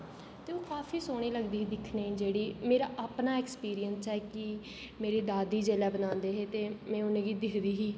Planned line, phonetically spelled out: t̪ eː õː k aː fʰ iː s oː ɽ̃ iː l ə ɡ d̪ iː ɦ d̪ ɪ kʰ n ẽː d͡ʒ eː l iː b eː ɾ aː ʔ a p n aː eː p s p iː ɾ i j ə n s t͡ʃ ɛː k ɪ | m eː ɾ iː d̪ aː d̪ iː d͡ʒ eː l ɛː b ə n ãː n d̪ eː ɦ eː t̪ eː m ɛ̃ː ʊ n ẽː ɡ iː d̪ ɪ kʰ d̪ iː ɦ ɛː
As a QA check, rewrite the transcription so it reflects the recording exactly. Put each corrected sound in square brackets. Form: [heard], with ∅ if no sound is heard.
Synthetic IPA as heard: t̪ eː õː k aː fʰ iː s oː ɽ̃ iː l ə ɡ d̪ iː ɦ d̪ ɪ kʰ n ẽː d͡ʒ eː [ɽ] iː [m] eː ɾ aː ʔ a p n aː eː [k] s p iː ɾ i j ə n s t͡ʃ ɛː k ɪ | m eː ɾ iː d̪ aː d̪ iː d͡ʒ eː l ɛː b ə n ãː n d̪ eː ɦ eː t̪ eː m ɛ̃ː ʊ n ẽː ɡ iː d̪ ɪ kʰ d̪ iː ɦ [iː]